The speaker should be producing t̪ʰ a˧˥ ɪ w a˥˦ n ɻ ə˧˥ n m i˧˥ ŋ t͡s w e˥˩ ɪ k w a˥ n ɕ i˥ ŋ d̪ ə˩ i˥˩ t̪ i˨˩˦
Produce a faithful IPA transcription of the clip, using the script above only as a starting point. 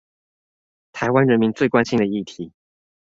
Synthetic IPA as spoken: t̪ʰ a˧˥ ɪ w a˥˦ n ɻ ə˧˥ n m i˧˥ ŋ t͡s w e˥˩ ɪ k w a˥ n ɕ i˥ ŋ d̪ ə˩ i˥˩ t̪ʰ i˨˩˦